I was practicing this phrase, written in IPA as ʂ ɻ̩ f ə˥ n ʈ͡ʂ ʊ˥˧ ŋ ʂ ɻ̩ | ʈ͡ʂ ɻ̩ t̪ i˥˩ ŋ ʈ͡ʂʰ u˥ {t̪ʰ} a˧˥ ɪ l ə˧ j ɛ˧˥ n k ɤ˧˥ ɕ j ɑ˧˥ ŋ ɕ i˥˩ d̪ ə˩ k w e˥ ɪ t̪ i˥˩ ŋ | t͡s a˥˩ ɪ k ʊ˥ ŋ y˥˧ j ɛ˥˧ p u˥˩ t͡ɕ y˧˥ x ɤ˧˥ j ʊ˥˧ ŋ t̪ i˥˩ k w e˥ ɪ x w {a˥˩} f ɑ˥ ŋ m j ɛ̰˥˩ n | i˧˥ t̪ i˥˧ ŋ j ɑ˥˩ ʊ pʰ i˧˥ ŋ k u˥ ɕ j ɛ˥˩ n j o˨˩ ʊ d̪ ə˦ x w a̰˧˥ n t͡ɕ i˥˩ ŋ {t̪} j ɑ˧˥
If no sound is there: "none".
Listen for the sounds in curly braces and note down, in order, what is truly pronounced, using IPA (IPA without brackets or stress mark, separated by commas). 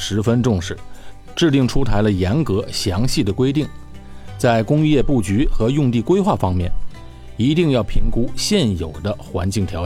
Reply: t̪ʰ, a˥˩, t̪ʰ